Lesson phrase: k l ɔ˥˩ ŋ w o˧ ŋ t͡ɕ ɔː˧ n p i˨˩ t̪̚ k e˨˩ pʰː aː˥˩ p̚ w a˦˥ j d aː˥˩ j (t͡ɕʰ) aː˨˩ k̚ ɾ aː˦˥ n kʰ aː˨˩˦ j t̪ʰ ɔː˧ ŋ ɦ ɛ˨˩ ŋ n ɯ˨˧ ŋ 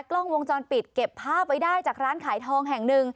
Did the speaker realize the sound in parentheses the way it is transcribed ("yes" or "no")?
no